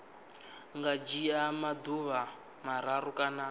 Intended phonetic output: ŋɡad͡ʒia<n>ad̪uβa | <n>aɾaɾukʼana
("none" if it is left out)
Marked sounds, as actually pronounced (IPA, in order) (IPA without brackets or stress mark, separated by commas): m, m